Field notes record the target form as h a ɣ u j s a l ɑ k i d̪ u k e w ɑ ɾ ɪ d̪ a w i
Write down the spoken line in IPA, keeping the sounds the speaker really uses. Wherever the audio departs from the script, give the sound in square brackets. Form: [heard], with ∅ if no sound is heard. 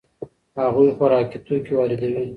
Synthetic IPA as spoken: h a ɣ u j [x] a [ɾ] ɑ k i [t̪] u k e w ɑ ɾ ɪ d̪ a w i